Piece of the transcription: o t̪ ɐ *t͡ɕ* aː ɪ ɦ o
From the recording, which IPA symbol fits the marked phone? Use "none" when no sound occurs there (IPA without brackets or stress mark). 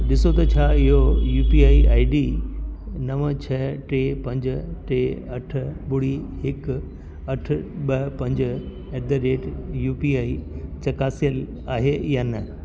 t͡ɕʰ